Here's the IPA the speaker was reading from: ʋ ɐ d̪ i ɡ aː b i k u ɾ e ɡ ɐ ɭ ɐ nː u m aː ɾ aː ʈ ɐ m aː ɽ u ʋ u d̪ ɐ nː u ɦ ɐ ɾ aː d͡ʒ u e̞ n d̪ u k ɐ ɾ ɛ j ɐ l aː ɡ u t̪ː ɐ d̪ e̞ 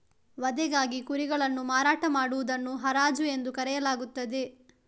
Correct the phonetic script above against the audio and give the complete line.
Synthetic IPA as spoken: ʋ ɐ d̪ ɛ ɡ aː ɡ i k u ɾ i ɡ ɐ ɭ ɐ nː u m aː ɾ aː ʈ ɐ m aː ɽ u ʋ u d̪ ɐ nː u ɦ ɐ ɾ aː d͡ʒ u e̞ n d̪ u k ɐ ɾ ɛ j ɐ l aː ɡ u t̪ː ɐ d̪ e̞